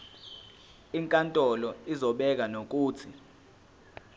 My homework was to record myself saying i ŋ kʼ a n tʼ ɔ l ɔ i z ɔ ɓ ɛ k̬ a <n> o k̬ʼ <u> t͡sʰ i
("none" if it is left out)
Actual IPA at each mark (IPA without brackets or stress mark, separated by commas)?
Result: n, uː